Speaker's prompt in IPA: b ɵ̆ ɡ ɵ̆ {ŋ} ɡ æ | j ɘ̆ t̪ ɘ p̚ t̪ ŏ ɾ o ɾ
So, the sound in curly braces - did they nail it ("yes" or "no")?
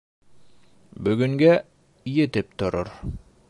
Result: yes